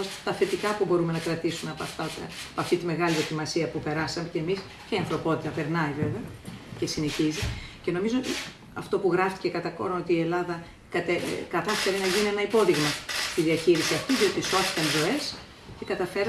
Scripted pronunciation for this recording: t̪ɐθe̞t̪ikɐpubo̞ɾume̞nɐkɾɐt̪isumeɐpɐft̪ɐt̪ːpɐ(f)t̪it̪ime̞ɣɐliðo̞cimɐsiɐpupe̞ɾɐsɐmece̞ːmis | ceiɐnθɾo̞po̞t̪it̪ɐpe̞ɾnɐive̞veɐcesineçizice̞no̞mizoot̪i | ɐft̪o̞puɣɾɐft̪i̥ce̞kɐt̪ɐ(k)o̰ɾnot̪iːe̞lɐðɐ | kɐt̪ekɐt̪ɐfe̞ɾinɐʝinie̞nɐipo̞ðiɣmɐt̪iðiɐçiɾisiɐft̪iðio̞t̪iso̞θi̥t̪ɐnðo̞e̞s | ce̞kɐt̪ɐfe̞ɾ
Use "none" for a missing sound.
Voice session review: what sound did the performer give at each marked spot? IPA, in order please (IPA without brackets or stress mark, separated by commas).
f, k